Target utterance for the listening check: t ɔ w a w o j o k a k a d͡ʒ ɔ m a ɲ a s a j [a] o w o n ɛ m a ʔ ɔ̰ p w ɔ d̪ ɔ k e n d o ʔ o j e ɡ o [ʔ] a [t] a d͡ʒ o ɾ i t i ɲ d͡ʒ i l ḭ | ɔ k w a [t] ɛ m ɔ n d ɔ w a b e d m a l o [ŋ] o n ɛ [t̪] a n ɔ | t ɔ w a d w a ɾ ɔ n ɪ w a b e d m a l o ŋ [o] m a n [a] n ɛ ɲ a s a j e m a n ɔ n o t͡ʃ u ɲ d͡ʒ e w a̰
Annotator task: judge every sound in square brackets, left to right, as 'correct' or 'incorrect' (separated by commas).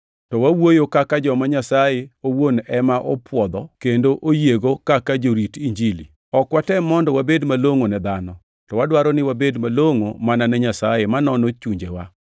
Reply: incorrect, incorrect, incorrect, correct, correct, incorrect, correct, correct